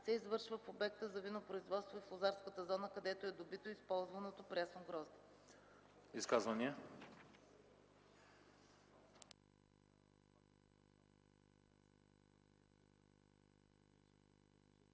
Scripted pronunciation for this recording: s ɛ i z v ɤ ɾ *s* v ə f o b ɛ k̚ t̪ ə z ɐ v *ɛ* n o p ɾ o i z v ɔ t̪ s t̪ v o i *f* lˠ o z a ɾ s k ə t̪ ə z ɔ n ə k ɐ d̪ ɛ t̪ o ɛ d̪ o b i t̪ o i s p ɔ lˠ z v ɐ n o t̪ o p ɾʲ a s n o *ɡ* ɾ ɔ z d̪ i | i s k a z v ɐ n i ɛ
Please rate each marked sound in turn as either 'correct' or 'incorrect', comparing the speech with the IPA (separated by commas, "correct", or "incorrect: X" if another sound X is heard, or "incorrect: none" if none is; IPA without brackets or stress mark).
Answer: incorrect: ʃ, incorrect: i, correct, correct